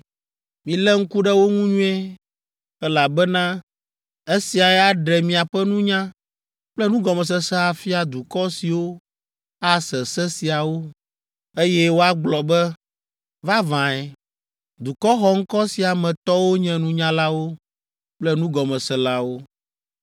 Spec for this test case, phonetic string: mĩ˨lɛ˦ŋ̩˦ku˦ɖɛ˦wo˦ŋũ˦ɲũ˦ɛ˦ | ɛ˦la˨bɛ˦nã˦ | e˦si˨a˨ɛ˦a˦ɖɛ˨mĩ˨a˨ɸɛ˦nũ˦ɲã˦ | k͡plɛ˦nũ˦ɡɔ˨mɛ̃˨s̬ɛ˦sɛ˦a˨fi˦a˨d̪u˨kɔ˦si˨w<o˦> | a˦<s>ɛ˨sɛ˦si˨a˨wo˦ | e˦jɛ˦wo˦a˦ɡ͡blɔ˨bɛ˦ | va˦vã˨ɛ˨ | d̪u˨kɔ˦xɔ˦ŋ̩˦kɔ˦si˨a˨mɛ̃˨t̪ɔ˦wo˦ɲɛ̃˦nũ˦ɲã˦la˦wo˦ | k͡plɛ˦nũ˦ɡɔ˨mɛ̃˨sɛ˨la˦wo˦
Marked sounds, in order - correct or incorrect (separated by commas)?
correct, correct